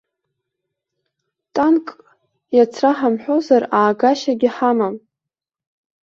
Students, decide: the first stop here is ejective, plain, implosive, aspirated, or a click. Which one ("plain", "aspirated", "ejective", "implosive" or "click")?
ejective